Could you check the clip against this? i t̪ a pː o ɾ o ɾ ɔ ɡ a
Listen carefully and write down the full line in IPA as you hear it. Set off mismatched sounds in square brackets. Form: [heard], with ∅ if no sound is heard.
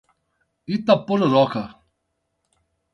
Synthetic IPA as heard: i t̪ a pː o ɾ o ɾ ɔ [k] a